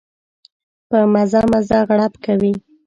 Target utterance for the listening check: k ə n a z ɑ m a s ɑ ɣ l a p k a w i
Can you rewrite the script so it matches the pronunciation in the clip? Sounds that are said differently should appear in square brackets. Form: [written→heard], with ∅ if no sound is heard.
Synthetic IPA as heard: [k→p] ə [n→m] a z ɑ m a [s→z] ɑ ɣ [l→ɽ] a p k a w i

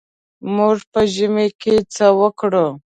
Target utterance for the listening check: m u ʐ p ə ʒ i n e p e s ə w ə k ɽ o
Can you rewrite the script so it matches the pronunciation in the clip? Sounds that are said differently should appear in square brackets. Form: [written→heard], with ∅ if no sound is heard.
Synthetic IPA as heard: m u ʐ p ə ʒ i [n→m] e [p→k] e [s→t͡s] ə w ə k ɽ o

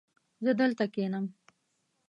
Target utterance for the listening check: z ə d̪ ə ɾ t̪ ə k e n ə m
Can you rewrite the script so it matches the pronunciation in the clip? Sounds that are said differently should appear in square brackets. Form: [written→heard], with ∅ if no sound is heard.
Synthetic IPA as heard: z ə d̪ ə [ɾ→l] t̪ [ə→a] k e n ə m

